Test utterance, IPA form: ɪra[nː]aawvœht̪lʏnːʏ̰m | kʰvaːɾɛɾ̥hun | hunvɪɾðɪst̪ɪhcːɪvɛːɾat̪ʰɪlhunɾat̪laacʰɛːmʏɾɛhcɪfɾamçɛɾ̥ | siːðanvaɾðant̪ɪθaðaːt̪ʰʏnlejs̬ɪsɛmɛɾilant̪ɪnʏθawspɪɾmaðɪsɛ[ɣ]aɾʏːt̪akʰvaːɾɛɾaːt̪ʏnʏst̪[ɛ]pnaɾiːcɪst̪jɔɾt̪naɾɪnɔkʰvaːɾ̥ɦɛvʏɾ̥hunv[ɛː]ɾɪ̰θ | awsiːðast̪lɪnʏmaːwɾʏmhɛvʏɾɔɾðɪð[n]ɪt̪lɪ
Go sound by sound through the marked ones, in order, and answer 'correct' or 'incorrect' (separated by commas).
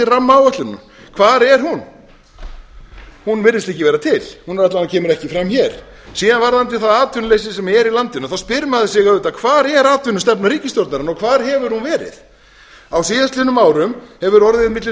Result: incorrect, correct, correct, correct, incorrect